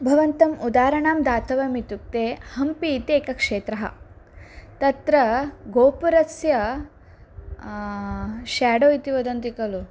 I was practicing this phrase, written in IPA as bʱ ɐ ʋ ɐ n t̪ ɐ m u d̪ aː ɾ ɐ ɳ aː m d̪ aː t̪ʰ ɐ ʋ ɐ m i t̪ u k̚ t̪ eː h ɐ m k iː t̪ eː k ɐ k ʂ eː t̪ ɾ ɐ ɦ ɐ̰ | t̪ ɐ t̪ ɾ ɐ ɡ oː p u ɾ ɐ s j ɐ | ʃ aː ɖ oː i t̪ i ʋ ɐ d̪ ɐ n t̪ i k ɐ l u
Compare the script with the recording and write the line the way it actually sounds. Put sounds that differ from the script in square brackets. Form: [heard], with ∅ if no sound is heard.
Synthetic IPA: bʱ ɐ ʋ ɐ n t̪ ɐ m u d̪ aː ɾ ɐ ɳ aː m d̪ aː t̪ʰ ɐ ʋ ɐ m i t̪ u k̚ t̪ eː h ɐ m [p] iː t̪ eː k ɐ k ʂ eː t̪ ɾ ɐ ɦ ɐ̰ | t̪ ɐ t̪ ɾ ɐ ɡ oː p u ɾ ɐ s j ɐ | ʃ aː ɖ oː i t̪ i ʋ ɐ d̪ ɐ n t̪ i k ɐ l u